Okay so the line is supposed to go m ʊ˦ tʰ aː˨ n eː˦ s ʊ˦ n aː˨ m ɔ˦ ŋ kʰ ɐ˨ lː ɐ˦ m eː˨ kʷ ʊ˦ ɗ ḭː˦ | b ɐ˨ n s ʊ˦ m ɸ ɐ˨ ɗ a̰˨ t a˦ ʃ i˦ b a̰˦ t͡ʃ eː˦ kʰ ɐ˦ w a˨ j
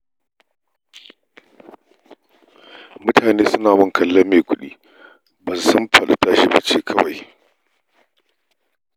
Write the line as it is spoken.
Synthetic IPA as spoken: m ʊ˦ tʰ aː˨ n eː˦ s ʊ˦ n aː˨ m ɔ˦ ŋ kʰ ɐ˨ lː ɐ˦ m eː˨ kʷ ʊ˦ ɗ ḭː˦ | b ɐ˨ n s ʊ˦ m ɸ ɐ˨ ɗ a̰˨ t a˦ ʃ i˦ b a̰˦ t͡ʃ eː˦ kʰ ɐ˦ w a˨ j